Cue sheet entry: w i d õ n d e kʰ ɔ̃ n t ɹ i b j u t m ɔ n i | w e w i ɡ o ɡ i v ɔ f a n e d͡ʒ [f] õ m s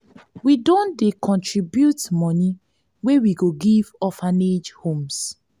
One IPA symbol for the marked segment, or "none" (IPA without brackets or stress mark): h